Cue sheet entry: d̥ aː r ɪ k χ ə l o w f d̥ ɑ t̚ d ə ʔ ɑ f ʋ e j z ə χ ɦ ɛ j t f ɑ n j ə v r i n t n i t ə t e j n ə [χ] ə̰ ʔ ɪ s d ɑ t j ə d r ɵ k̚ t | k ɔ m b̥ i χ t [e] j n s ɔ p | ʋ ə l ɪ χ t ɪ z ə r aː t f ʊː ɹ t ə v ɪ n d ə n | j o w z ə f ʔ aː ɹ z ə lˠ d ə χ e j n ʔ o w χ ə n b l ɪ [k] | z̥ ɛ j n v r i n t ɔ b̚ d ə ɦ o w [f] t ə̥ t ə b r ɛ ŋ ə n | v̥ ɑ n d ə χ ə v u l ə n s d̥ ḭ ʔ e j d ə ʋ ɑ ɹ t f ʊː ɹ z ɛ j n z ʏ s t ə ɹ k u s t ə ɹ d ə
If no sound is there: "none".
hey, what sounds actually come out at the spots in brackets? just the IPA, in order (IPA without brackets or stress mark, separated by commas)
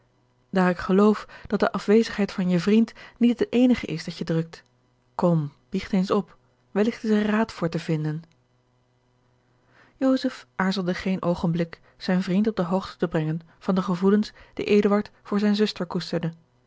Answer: χ, e, k, χ